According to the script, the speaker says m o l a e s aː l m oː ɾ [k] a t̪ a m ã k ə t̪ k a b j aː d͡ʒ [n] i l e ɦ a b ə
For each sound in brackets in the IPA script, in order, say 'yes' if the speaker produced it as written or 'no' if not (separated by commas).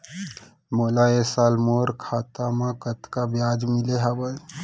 no, no